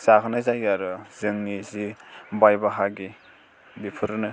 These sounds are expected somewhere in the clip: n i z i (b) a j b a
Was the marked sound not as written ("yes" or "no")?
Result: no